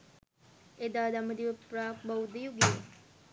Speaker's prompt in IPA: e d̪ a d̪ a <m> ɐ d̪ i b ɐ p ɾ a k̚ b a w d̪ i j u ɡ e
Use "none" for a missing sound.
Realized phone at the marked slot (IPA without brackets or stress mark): m